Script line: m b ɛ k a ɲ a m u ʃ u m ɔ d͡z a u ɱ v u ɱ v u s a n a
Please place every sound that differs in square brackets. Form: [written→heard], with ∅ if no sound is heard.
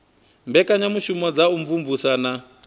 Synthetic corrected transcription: m b ɛ k a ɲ a m u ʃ u m ɔ d͡z a u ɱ v u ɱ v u s a n a